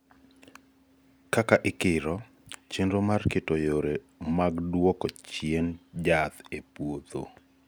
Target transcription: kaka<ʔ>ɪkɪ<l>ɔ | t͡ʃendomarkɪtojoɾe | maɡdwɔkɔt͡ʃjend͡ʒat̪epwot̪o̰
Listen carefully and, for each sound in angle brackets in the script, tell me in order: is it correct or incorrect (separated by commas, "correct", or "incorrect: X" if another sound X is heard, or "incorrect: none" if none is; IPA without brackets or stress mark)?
correct, incorrect: ɾ